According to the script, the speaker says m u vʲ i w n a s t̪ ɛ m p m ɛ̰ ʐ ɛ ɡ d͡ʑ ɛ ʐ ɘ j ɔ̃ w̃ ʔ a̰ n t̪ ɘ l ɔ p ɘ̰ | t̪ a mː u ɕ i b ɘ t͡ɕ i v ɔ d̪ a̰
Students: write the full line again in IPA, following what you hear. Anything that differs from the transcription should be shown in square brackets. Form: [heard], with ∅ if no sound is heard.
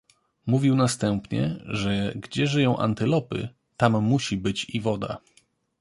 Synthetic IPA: m u vʲ i w n a s t̪ ɛ m p [ɲ] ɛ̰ ʐ ɛ ɡ d͡ʑ ɛ ʐ ɘ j ɔ̃ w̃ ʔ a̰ n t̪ ɘ l ɔ p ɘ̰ | t̪ a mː u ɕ i b ɘ t͡ɕ i v ɔ d̪ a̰